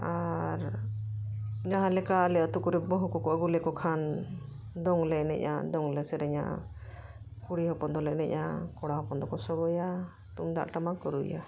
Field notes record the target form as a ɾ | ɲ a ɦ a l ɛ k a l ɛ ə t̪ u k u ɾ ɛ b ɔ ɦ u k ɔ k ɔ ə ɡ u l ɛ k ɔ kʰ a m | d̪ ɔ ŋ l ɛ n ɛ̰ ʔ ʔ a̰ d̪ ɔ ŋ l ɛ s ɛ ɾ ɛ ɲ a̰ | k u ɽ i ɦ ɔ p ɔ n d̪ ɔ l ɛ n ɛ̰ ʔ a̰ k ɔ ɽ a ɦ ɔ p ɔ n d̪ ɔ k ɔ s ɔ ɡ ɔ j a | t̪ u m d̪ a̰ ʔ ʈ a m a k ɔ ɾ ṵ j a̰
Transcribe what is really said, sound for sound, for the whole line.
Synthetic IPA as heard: a ɾ | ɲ a ɦ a l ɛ k a l ɛ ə t̪ u k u ɾ ɛ b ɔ ɦ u k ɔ k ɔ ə ɡ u l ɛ k ɔ kʰ a n | d̪ ɔ ŋ l ɛ n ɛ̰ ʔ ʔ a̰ d̪ ɔ ŋ l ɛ s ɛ ɾ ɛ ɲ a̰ | k u ɽ i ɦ ɔ p ɔ n d̪ ɔ l ɛ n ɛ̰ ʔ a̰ k ɔ ɽ a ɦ ɔ p ɔ n d̪ ɔ k ɔ s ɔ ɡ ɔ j a | t̪ u m d̪ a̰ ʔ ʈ a m a k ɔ ɾ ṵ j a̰